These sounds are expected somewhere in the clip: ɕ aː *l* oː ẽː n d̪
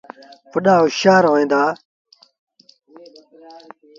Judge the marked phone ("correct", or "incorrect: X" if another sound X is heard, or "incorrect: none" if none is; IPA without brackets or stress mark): incorrect: ɾ